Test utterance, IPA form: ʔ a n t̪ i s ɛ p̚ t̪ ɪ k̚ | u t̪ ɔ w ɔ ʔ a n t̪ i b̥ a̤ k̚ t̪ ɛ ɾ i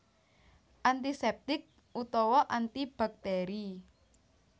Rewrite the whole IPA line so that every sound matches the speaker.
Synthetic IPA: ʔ a n t̪ i s ɛ p̚ t̪ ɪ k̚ | u t̪ ɔ w ɔ ʔ a n t̪ i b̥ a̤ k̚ t̪ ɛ ɾ i

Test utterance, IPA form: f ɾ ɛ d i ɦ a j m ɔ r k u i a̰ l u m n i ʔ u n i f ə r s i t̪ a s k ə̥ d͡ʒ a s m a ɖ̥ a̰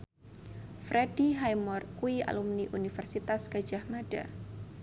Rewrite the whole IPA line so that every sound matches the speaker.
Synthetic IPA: f ɾ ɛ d i ɦ a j m ɔ r k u i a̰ l u m n i ʔ u n i f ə r s i t̪ a s k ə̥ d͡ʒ a h m a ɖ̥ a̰

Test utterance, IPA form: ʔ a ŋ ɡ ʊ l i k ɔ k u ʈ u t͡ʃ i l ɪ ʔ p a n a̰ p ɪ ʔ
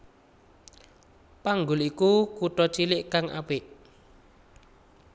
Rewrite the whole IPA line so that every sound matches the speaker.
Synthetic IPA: p a ŋ ɡ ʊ l i k u k u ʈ ɔ t͡ʃ i l ɪ ʔ k a ŋ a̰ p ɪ ʔ

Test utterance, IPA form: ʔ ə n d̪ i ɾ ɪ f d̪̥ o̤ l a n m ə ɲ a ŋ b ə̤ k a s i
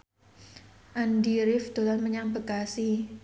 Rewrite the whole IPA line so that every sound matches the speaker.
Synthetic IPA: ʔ a n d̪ i ɾ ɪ f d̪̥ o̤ l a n m ə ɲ a ŋ b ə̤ k a s i

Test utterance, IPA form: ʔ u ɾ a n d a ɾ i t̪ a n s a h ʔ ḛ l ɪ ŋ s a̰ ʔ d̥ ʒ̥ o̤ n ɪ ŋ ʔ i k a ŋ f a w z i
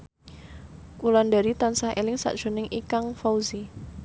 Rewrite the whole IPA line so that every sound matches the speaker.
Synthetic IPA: k u l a n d a ɾ i t̪ a n s a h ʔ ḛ l ɪ ŋ s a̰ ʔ d̥ ʒ̥ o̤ n ɪ ŋ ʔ i k a ŋ f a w z i

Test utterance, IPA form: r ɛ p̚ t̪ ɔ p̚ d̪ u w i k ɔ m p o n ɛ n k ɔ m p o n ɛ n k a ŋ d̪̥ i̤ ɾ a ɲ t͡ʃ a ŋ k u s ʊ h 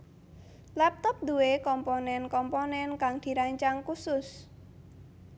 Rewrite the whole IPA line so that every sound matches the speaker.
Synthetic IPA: l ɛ p̚ t̪ ɔ p̚ d̪ u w e k ɔ m p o n ɛ n k ɔ m p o n ɛ n k a ŋ d̪̥ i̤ ɾ a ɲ t͡ʃ a ŋ k u s ʊ s

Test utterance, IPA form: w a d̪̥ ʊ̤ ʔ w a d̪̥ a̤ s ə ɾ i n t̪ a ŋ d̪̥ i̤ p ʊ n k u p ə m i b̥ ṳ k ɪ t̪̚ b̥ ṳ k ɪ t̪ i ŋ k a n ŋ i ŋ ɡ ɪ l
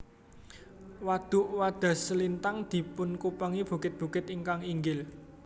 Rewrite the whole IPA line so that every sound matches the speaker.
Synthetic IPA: w a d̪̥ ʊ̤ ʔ w a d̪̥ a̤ s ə l i n t̪ a ŋ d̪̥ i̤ p ʊ n k u p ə ŋ i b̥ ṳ k ɪ t̪̚ b̥ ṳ k ɪ t̪ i ŋ k a ŋ i ŋ ɡ ɪ l

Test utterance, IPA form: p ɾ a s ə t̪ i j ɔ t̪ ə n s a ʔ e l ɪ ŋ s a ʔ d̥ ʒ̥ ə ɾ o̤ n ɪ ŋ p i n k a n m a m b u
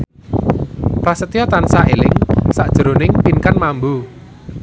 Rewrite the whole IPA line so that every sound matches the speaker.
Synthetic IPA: p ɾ a s ə t̪ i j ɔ t̪ a n s a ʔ e l ɪ ŋ s a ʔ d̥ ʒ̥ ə ɾ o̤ n ɪ ŋ p i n k a n m a m b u

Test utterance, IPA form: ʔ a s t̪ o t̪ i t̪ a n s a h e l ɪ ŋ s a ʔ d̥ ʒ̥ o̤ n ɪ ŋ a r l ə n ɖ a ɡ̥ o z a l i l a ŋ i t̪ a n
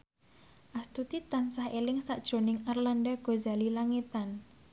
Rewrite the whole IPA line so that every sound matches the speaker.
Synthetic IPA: ʔ a s t̪ u t̪ i t̪ a n s a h e l ɪ ŋ s a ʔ d̥ ʒ̥ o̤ n ɪ ŋ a r l a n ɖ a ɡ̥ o z a l i l a ŋ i t̪ a n

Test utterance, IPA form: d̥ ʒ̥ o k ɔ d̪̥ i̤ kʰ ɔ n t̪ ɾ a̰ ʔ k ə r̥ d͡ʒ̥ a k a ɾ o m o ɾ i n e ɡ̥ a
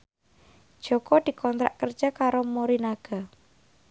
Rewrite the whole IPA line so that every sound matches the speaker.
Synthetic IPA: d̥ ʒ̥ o k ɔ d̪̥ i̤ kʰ ɔ n t̪ ɾ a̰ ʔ k ə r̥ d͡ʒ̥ a k a ɾ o m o ɾ i n a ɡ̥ a

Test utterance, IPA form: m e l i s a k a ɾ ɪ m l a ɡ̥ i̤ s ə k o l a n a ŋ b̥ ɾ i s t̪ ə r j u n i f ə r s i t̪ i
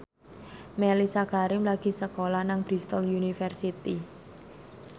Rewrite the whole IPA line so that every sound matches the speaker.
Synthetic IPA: m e l i s a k a ɾ ɪ m l a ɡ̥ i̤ s ə k o l a n a ŋ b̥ ɾ i s t̪ ə l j u n i f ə r s i t̪ i

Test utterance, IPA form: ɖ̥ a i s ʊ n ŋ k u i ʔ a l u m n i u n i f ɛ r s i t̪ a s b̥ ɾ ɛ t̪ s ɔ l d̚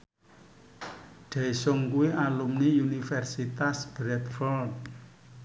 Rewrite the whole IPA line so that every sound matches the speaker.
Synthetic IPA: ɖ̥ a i s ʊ ŋ k u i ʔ a l u m n i u n i f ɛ r s i t̪ a s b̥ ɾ ɛ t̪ f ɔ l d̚

